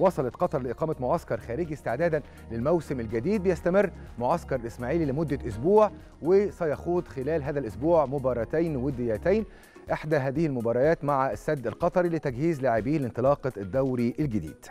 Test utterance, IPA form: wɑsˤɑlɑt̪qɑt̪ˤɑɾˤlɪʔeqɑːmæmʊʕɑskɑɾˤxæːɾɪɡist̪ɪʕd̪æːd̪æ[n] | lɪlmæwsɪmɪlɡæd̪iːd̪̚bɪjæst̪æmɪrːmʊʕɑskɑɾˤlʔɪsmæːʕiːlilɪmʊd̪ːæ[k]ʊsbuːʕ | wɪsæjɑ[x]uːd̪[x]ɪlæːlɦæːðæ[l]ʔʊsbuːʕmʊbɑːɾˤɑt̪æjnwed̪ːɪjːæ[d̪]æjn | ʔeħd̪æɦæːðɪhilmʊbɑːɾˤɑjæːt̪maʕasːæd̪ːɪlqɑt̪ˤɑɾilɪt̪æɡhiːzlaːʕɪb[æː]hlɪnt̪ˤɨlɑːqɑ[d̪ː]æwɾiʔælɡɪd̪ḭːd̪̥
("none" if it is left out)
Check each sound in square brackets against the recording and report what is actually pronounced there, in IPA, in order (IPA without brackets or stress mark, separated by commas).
n, ʔ, x, x, l, t̪, iː, d̪ː